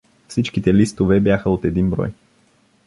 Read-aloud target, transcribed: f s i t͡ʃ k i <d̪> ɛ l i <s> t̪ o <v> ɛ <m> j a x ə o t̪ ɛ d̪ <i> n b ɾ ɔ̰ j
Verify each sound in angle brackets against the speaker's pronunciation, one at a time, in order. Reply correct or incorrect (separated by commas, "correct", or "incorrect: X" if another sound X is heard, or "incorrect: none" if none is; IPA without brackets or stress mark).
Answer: incorrect: t̪, correct, correct, incorrect: b, correct